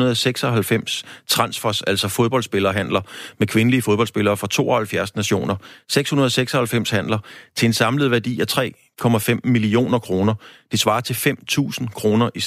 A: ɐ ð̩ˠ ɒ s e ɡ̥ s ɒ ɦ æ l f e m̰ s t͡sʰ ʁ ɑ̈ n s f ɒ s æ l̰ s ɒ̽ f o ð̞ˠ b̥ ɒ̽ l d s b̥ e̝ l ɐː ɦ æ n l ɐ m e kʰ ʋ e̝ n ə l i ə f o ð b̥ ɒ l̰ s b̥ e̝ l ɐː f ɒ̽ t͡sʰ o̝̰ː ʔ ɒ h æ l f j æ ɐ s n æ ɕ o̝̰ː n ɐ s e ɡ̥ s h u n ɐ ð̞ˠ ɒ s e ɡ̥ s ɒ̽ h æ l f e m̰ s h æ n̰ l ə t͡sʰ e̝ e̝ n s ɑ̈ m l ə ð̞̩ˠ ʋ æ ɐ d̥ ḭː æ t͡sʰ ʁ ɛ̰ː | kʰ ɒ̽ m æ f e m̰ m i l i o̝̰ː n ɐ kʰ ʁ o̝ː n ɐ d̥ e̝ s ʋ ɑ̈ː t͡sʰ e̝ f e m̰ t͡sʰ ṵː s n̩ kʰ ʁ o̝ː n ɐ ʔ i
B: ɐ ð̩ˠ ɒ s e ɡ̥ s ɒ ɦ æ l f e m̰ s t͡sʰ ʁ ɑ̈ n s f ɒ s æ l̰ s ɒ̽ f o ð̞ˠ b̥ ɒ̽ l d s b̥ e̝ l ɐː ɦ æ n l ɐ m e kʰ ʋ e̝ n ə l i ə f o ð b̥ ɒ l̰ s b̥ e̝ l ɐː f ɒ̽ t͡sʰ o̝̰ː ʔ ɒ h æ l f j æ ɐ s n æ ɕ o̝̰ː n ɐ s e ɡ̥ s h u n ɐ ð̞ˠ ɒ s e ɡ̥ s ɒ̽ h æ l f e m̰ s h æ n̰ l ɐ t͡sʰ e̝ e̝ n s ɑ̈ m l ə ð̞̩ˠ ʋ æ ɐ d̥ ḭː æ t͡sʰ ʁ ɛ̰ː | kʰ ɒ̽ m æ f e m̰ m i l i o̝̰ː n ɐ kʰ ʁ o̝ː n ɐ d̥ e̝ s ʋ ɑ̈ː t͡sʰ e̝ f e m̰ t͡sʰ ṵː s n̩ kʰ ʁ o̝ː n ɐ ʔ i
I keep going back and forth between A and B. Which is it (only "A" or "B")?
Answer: B